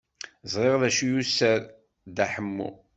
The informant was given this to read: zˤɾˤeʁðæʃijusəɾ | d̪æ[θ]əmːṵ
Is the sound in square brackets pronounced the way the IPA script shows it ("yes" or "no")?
no